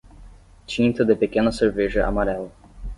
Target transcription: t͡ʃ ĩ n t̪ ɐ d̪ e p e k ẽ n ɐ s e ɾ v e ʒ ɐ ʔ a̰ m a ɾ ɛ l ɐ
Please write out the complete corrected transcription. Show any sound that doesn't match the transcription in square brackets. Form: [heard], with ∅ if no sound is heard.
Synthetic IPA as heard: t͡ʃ ĩ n t̪ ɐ d̪ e p e k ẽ n ɐ s e ɾ v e ʒ ɐ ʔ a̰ m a ɾ ɛ l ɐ